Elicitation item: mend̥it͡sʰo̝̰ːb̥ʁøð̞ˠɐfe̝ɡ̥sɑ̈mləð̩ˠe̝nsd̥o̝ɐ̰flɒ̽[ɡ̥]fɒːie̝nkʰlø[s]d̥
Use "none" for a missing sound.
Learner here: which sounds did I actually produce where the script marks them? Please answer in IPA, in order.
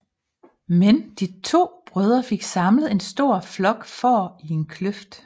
ɡ̥, f

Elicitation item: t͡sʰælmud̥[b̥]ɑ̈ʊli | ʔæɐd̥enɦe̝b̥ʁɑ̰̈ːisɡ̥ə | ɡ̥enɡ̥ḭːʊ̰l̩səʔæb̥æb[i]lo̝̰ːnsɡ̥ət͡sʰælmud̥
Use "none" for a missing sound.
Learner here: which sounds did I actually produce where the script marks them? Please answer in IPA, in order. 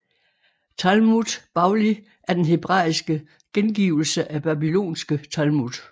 b̥, i

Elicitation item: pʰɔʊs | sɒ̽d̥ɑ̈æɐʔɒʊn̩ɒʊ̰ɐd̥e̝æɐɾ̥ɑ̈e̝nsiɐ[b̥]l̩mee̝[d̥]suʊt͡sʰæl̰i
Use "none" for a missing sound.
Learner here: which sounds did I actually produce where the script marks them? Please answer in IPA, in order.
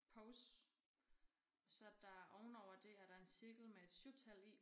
ɡ̥, d̥

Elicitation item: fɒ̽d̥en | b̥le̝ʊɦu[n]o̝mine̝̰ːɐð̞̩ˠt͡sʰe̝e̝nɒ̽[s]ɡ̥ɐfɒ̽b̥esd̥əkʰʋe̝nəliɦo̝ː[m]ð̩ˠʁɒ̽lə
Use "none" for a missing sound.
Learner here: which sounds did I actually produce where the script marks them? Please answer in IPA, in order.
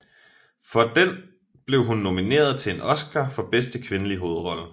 nː, s, none

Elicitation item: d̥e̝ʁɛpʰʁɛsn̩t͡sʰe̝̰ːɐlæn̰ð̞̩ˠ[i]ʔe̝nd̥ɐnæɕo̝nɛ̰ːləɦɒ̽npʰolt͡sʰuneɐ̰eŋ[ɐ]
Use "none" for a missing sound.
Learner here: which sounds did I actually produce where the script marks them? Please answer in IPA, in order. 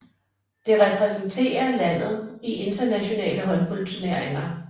i, ɐ

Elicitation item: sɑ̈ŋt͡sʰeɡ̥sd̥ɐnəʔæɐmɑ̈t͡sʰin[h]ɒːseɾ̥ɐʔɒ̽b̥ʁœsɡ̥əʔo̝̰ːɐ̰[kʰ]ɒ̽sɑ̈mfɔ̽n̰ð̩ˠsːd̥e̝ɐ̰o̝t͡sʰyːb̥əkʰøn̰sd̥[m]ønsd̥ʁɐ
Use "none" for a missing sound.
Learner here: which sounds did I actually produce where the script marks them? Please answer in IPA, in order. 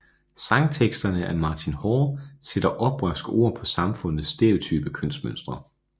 h, pʰ, m

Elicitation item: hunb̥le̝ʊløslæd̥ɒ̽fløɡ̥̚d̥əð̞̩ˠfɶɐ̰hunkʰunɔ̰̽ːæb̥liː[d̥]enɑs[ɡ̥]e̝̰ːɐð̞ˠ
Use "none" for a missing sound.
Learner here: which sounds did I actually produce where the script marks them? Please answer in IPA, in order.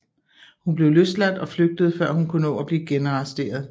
ɡ̥, d̥

